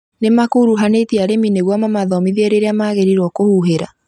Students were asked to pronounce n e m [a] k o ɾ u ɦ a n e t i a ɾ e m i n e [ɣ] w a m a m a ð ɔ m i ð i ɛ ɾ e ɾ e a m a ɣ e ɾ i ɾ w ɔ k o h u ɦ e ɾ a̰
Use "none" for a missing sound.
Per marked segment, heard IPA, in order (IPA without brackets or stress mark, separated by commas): a, ɣ